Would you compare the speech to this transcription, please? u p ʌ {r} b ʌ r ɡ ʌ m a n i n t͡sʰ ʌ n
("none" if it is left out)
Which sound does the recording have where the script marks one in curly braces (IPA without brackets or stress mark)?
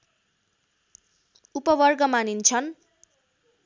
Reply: none